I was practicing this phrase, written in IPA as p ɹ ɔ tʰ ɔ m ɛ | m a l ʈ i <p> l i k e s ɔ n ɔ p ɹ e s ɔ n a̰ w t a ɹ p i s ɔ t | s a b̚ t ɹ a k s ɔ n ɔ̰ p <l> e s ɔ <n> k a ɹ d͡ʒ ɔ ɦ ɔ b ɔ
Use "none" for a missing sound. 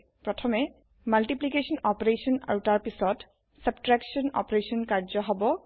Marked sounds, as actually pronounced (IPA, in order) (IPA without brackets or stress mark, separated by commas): p, ɹ, n